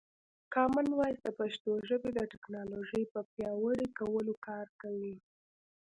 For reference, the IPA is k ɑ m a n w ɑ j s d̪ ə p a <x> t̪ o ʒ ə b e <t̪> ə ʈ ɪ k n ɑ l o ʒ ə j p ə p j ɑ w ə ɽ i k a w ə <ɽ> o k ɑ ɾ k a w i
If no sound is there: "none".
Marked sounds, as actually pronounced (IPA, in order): ʃ, d̪, l

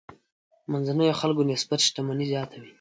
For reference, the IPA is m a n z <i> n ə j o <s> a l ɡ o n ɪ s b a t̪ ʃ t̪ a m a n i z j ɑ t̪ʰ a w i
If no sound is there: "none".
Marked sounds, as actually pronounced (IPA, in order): a, x

